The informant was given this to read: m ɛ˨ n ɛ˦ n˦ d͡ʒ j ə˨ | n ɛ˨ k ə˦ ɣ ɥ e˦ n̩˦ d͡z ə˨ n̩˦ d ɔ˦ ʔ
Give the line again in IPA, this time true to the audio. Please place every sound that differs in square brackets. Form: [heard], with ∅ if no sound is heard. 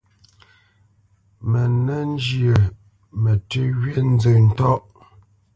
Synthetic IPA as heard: m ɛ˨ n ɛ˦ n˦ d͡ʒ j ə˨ | [m] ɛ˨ [t] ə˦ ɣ ɥ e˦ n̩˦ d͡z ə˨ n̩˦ [t] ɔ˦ ʔ